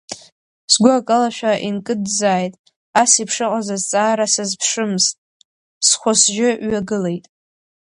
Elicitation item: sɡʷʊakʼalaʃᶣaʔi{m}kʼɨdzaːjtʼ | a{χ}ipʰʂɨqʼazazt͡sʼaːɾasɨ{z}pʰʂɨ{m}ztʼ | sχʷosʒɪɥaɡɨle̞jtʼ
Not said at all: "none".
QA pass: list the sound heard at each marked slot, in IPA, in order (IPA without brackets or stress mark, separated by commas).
n, s, z, m